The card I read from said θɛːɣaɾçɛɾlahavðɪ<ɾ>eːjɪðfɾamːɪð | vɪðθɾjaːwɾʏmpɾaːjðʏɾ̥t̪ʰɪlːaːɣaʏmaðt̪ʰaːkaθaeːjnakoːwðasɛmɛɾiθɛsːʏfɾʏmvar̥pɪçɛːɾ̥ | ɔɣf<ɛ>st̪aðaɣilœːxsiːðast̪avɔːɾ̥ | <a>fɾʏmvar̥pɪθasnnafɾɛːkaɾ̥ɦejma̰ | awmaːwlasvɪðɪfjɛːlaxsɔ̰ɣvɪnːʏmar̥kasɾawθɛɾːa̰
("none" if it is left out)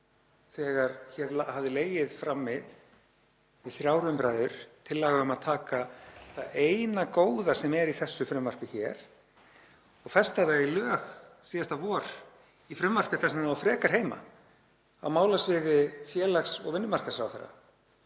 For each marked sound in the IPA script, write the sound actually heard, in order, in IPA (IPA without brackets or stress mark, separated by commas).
l, ɛ, i